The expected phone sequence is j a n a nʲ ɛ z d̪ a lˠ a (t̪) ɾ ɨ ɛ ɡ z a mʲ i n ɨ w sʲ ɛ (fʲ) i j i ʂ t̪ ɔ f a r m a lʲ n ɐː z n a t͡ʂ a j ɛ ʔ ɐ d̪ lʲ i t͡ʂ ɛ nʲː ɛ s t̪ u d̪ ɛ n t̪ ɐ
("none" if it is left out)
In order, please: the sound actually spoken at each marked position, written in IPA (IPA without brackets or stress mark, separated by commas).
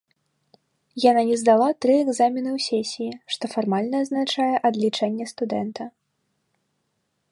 t̪, sʲ